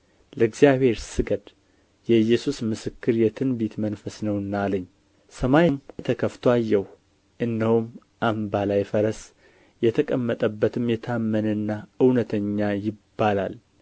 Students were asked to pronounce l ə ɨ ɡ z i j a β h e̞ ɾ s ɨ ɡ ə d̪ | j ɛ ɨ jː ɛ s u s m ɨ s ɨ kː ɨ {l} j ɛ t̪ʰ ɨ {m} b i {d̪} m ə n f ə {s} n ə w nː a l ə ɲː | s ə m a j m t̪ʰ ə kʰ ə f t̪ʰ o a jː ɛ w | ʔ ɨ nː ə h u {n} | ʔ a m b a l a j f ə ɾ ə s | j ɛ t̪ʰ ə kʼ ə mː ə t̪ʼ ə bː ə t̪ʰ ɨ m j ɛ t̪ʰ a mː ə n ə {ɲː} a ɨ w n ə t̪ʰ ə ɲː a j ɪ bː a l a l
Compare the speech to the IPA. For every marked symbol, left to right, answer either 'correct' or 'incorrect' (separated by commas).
incorrect, incorrect, incorrect, correct, incorrect, incorrect